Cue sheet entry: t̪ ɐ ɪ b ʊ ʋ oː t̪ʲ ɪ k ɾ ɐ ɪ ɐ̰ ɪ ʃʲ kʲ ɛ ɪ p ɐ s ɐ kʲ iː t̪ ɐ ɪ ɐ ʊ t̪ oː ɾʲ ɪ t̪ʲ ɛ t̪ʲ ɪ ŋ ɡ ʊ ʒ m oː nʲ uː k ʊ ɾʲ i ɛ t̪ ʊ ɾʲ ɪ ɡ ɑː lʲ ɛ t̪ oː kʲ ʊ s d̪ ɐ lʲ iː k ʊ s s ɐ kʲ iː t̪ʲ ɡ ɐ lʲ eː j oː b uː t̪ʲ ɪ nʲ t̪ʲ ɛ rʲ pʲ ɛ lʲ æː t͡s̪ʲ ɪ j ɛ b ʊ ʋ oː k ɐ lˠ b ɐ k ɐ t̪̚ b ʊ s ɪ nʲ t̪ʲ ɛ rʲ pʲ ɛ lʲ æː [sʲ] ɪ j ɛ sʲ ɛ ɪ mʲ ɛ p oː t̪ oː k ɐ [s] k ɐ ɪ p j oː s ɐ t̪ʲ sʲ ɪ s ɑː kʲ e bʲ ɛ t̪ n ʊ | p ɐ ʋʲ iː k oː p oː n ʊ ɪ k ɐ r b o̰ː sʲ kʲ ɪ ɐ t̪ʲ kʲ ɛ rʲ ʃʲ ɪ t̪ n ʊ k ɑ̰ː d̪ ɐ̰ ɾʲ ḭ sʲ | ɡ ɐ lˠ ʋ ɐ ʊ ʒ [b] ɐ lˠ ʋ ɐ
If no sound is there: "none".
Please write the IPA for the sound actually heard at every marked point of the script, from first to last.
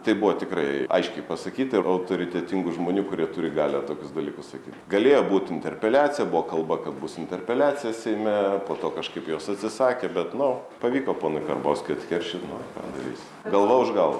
t͡sʲ, ʃ, ɡ

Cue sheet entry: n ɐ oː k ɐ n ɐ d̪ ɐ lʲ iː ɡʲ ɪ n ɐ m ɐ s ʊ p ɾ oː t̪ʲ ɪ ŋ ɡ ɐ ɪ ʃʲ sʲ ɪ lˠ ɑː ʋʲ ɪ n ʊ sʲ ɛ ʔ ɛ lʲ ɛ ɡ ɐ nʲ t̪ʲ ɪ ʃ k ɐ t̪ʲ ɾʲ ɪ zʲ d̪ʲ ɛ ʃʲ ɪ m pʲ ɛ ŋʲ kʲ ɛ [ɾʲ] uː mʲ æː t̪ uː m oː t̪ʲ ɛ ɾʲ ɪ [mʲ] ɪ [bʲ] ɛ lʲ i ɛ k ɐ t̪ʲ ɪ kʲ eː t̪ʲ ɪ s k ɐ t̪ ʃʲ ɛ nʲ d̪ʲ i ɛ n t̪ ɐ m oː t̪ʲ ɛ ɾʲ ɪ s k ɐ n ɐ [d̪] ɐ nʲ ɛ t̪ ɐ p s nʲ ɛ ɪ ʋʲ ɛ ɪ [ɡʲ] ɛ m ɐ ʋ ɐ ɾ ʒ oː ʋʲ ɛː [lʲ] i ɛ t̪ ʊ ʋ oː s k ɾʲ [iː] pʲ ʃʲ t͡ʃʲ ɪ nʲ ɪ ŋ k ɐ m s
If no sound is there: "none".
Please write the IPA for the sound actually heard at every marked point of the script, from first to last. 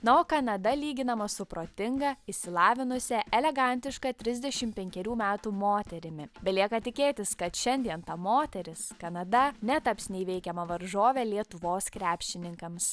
ɾʲ, mʲ, bʲ, d̪, kʲ, lʲ, æː

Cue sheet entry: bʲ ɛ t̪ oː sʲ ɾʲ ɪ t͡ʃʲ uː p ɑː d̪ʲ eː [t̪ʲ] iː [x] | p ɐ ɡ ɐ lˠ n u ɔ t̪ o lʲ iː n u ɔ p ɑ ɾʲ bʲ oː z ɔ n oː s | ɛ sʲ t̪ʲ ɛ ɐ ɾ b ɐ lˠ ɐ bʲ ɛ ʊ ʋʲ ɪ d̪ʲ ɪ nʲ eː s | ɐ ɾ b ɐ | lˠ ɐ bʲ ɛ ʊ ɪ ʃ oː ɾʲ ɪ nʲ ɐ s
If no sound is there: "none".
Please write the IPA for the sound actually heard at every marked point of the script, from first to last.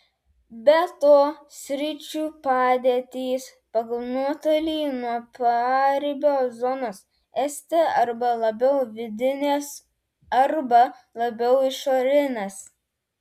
t̪ʲ, s

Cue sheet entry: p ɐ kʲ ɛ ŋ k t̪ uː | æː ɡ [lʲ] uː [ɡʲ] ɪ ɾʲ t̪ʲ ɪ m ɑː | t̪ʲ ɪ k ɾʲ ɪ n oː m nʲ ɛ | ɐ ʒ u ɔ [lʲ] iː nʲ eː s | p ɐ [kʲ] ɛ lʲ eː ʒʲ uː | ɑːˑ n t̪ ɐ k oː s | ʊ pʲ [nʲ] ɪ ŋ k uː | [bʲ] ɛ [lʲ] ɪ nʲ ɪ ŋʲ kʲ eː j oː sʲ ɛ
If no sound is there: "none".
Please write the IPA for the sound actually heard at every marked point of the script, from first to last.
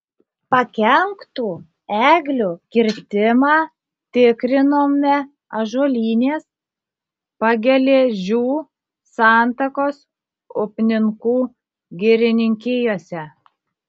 lʲ, kʲ, lʲ, ɡʲ, nʲ, ɡʲ, ɾʲ

